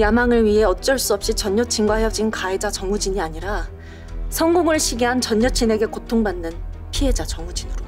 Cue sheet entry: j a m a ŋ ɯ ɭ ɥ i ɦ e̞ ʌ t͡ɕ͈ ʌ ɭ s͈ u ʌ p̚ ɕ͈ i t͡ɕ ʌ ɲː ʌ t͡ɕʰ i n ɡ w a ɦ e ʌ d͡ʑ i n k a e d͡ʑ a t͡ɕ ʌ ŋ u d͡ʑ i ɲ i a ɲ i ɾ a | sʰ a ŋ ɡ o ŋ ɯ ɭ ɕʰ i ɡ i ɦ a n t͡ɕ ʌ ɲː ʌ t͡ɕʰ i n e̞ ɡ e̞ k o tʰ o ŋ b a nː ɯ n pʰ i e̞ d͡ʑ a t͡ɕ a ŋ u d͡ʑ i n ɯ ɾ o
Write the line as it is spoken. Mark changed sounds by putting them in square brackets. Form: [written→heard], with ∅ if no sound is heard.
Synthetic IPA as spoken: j a m a ŋ ɯ ɭ ɥ i ɦ e̞ ʌ t͡ɕ͈ ʌ ɭ s͈ u ʌ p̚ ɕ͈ i t͡ɕ ʌ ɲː ʌ t͡ɕʰ i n ɡ w a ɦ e ʌ d͡ʑ i n k a e d͡ʑ a t͡ɕ ʌ ŋ u d͡ʑ i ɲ i a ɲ i ɾ a | sʰ [a→ʌ] ŋ ɡ o ŋ ɯ ɭ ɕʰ i ɡ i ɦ a n t͡ɕ ʌ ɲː ʌ t͡ɕʰ i n e̞ ɡ e̞ k o tʰ o ŋ b a nː ɯ n pʰ i e̞ d͡ʑ a t͡ɕ [a→ʌ] ŋ u d͡ʑ i n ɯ ɾ o